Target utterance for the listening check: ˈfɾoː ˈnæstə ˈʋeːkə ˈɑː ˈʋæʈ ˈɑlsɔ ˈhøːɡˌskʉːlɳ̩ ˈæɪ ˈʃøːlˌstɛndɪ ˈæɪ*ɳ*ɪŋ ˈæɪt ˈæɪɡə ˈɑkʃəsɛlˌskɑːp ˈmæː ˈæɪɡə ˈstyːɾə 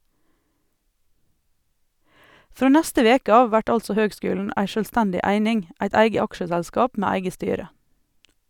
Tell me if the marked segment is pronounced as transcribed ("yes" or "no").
no